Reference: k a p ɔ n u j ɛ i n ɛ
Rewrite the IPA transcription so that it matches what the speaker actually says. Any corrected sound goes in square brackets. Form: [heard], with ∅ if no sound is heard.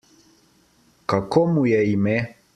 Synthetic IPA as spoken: k a [k] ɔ [m] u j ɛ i [m] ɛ